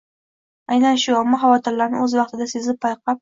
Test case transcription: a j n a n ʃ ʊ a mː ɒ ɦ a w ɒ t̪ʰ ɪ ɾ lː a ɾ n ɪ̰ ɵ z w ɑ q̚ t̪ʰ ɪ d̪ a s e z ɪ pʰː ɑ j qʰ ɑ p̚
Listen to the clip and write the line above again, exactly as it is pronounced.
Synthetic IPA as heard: a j n a n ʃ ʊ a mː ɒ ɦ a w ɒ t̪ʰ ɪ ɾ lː a ɾ n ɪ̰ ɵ z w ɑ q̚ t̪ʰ ɪ d̪ a s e z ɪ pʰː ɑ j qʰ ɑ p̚